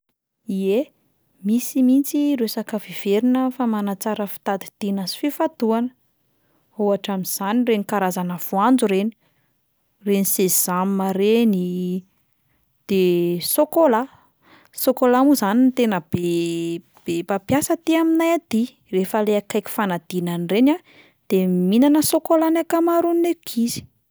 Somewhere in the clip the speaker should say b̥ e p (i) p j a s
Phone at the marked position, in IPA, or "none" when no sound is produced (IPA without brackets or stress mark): a